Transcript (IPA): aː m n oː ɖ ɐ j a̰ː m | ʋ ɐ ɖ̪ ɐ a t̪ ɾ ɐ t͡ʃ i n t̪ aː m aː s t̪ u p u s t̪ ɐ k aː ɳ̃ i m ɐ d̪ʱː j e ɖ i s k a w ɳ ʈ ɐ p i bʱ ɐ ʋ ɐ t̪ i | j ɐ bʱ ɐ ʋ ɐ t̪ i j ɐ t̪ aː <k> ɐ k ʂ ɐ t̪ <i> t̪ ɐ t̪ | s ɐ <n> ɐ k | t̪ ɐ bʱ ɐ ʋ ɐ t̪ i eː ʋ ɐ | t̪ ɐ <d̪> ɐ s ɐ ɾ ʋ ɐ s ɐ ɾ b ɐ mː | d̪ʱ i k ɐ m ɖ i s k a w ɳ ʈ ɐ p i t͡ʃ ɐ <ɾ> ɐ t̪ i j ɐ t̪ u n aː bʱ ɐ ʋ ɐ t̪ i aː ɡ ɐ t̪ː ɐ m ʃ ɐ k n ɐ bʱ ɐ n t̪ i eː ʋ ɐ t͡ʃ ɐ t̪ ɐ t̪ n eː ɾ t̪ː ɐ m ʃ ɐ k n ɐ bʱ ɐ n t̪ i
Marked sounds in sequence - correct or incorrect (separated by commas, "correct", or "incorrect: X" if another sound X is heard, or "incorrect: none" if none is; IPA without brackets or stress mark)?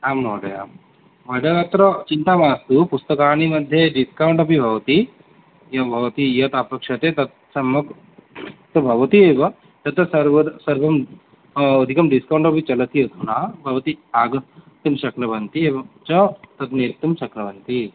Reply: incorrect: p, incorrect: e, incorrect: m, incorrect: t̪, incorrect: l